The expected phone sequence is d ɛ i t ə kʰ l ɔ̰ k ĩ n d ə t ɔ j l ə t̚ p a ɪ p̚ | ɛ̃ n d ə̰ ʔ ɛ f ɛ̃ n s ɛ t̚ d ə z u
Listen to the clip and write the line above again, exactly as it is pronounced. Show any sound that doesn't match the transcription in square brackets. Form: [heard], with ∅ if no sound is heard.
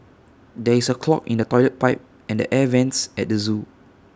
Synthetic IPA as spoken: d ɛ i [s] ə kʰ l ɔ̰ k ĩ n d ə t ɔ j l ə t̚ p a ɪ p̚ | ɛ̃ n d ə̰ ʔ ɛ [v] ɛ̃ n s ɛ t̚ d ə z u

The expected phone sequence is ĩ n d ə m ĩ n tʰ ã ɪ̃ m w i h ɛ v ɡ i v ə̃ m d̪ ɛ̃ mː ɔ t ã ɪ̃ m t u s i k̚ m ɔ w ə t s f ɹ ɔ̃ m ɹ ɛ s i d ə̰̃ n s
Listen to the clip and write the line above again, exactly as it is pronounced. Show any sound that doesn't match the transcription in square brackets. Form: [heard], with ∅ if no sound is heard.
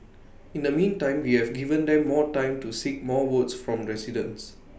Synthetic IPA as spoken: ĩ n d ə m ĩ n [t] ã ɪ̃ m w i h ɛ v ɡ i v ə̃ [n] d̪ ɛ̃ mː ɔ t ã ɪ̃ m t u s i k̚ m ɔ w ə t s f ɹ ɔ̃ m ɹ ɛ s i d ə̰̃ n s

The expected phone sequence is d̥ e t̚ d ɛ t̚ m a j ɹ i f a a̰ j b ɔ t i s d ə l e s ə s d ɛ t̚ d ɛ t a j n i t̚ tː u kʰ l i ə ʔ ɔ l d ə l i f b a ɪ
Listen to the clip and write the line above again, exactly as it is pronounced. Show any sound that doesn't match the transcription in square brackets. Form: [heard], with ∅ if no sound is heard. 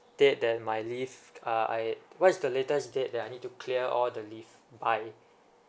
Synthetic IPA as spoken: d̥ e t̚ d ɛ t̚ m a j [l] i f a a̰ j [w] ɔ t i s d ə l e [t] ə s d [e] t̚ d ɛ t a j n i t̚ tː u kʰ l i ə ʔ ɔ l d ə l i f b a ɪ

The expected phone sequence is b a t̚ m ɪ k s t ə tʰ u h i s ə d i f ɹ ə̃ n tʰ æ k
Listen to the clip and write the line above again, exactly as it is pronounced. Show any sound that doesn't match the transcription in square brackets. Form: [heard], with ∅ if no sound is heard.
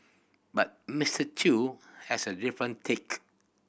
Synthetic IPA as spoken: b a t̚ m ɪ [∅] s t ə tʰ u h [ɛ] s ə d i f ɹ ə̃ n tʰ [e] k

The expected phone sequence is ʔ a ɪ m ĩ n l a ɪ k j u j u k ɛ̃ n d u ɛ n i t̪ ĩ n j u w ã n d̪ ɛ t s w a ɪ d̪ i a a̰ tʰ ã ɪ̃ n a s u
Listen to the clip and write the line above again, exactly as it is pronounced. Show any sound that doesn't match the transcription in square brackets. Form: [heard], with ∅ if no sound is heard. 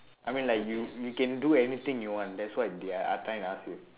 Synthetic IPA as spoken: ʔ a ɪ m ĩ n l a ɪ k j u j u k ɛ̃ n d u ɛ n i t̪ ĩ [ŋ] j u w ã n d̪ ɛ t s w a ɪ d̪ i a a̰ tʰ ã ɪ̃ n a s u

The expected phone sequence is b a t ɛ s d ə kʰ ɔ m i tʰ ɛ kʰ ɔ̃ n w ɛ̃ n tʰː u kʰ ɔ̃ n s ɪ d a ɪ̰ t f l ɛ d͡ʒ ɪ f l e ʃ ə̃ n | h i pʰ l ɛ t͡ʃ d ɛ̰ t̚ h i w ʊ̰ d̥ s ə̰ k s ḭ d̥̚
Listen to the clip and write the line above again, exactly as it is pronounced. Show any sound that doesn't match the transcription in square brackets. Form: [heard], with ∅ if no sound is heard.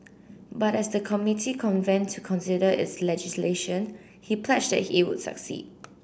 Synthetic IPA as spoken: b a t ɛ s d ə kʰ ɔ m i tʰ [i] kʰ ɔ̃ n [v] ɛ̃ n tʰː u kʰ ɔ̃ n s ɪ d [ə] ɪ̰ t [s] l ɛ d͡ʒ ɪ [s] l e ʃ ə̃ n | h i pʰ l ɛ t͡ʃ d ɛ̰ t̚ h i w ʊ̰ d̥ s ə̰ k s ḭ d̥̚

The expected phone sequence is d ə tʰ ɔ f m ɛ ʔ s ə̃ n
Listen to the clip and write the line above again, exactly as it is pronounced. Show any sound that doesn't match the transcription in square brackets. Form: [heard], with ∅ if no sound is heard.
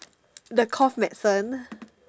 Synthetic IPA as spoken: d ə [kʰ] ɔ f m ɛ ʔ s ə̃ n

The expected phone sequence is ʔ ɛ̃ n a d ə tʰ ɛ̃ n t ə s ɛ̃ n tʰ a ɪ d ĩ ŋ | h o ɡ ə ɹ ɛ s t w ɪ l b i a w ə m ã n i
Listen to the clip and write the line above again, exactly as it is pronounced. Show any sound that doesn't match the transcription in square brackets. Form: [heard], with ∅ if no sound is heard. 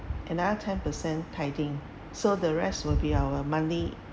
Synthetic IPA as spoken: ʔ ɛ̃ n a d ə tʰ ɛ̃ n [p] ə s ɛ̃ n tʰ a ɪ d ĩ ŋ | [s] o [d] ə ɹ ɛ s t w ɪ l b i a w ə m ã n i

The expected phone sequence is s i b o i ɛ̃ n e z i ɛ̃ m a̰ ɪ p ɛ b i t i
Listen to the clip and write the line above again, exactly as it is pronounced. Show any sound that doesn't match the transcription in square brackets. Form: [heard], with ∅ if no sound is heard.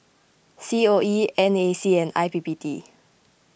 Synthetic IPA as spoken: s i [∅] o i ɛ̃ n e [s] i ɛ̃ [n] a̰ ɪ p [i] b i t i

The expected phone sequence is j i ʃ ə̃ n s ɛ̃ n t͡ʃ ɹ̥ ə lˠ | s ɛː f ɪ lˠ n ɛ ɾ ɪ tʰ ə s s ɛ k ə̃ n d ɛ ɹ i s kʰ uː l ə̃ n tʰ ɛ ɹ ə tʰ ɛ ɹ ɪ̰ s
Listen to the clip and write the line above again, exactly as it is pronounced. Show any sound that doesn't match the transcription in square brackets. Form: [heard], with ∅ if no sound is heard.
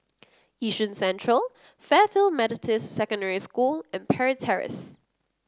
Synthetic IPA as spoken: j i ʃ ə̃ n s ɛ̃ n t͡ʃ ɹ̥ ə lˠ | [f] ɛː f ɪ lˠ [m] ɛ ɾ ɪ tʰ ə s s ɛ k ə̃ n d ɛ ɹ i s [k] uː l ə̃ n [pʰ] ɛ ɹ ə tʰ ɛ ɹ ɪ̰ s

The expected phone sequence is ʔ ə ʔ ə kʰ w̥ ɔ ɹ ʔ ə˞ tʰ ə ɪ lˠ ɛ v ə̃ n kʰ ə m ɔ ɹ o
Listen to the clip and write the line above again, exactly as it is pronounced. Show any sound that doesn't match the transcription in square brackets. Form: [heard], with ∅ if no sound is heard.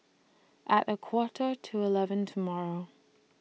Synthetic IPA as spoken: ʔ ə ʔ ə kʰ w̥ ɔ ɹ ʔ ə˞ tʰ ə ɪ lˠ ɛ v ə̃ n [tʰ] ə m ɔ ɹ o

